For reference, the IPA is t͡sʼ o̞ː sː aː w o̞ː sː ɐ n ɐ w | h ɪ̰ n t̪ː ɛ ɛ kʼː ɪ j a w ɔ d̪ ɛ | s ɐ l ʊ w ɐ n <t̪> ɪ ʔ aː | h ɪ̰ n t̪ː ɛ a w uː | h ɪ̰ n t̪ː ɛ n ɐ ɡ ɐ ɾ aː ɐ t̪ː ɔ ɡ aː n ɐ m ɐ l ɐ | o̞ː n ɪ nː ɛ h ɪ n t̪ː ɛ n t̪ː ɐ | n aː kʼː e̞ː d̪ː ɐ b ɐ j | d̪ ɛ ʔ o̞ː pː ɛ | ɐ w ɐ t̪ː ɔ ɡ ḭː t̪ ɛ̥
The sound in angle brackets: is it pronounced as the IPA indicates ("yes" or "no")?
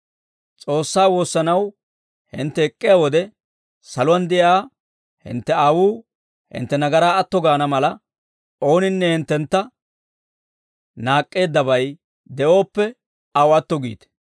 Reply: no